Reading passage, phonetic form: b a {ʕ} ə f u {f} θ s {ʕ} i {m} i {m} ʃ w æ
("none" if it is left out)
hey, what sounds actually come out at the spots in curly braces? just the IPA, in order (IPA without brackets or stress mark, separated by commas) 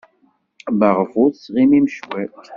ʁ, none, ʁ, m, m